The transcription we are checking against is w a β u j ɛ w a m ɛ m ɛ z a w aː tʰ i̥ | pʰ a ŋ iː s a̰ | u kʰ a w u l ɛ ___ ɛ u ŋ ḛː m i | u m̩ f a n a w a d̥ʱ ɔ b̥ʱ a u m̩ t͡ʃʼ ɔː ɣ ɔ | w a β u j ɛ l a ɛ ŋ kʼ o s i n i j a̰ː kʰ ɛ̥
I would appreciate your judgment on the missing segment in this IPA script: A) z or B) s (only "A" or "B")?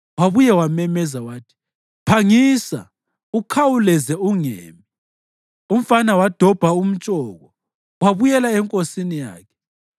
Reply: A